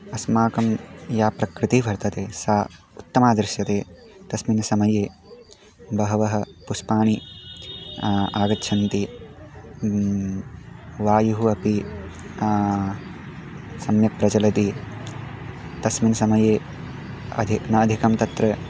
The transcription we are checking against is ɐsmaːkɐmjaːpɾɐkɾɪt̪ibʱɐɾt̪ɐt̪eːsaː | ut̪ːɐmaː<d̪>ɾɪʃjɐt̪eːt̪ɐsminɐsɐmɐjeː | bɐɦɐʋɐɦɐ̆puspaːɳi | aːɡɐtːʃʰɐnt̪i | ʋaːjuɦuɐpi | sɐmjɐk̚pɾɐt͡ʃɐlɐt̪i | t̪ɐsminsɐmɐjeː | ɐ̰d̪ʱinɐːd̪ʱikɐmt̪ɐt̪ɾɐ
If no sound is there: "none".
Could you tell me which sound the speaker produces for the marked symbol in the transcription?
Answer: d̪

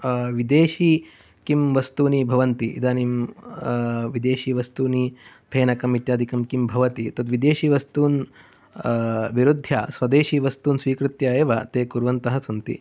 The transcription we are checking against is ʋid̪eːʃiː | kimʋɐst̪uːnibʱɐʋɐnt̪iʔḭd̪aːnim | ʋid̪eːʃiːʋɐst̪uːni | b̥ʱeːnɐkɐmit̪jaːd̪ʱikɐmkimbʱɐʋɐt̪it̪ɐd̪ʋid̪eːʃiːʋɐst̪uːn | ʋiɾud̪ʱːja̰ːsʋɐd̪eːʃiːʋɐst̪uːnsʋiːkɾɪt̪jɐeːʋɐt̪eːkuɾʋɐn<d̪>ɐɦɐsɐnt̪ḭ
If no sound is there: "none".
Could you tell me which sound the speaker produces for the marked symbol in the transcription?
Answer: t̪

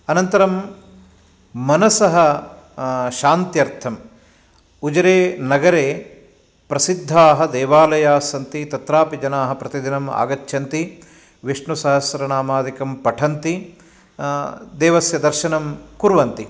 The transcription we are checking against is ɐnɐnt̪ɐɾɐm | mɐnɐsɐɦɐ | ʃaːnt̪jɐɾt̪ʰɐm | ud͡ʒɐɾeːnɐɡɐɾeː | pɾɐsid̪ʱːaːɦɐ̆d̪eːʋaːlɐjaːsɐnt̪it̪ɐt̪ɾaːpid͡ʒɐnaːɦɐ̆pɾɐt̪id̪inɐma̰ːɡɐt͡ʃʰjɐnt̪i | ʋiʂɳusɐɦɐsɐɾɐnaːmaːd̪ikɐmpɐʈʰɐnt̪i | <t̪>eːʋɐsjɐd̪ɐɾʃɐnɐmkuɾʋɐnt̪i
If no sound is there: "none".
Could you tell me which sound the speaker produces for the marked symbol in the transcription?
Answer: d̪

